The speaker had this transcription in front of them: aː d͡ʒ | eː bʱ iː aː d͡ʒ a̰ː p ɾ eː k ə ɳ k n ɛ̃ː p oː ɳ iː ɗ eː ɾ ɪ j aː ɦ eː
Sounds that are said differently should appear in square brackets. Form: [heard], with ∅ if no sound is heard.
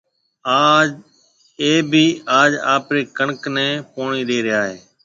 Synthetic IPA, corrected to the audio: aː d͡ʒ | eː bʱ iː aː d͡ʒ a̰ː p ɾ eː k ə ɳ k n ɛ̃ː p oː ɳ iː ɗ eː ɾ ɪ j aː ɦ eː